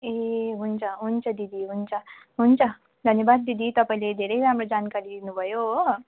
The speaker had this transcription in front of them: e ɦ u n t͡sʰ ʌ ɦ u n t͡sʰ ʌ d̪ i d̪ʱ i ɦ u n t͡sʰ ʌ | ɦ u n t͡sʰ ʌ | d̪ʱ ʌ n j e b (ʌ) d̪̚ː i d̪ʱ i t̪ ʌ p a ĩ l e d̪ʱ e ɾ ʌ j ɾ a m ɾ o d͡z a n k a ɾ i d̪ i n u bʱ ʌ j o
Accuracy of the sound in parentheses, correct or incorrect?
incorrect